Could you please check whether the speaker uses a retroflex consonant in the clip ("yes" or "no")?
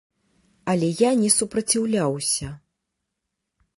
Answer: no